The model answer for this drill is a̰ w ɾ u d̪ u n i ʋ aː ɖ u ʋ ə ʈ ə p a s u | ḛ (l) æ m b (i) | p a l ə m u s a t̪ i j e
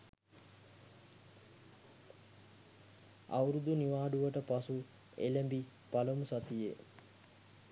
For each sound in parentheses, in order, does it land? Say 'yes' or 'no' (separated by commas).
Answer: yes, yes